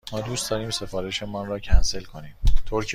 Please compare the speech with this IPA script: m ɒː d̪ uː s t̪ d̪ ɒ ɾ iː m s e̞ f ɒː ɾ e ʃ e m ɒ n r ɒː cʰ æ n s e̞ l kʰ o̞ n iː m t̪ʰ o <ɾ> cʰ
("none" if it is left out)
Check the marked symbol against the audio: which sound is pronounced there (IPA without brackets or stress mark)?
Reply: ɾ